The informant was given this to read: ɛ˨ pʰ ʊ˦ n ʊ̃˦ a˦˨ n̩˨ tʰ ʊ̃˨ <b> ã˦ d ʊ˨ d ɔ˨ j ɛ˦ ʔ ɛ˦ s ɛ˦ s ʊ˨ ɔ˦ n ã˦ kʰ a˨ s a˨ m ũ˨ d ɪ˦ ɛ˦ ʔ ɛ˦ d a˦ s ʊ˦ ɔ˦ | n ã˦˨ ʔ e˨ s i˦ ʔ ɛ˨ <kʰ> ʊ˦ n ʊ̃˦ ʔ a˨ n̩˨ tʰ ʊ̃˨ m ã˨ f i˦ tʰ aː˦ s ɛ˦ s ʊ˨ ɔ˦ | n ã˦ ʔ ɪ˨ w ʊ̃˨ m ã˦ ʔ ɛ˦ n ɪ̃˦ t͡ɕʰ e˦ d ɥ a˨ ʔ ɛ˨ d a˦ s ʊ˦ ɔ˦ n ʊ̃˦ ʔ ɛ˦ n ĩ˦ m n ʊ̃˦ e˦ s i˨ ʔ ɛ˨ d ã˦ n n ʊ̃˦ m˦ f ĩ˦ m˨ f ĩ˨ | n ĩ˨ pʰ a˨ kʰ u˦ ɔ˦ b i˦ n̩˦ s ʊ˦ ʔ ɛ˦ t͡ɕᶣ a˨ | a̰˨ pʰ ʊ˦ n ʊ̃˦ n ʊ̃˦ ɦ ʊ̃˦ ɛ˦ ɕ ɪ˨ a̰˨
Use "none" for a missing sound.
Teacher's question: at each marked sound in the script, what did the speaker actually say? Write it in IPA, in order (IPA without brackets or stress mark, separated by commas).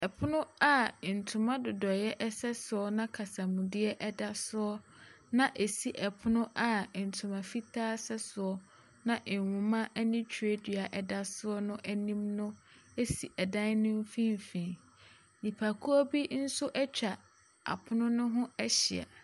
m, pʰ